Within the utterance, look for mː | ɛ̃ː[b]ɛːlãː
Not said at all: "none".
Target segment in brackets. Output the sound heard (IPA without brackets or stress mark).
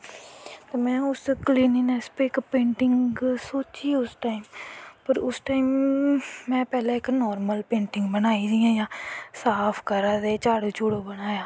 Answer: p